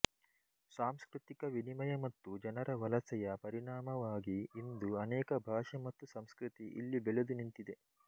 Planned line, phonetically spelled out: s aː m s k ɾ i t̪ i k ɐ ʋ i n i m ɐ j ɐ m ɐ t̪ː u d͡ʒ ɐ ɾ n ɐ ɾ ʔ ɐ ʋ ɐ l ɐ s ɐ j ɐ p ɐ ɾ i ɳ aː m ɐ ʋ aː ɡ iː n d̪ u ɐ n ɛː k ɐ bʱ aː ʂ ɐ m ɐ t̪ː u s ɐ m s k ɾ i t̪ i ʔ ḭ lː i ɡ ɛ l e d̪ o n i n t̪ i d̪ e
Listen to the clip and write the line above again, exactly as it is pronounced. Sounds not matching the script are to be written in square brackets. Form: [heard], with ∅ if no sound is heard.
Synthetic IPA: s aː m s k ɾ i t̪ i k ɐ ʋ i n i m ɐ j ɐ m ɐ t̪ː u d͡ʒ ɐ [∅] n ɐ ɾ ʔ ɐ ʋ ɐ l ɐ s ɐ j ɐ p ɐ ɾ i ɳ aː m ɐ ʋ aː ɡ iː n d̪ u ɐ n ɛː k ɐ bʱ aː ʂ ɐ m ɐ t̪ː u s ɐ m s k ɾ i t̪ i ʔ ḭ lː i [b] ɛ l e d̪ [u] n i n t̪ i d̪ e